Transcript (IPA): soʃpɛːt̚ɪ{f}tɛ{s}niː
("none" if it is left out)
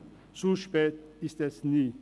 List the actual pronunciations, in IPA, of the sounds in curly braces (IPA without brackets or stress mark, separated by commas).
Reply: s, s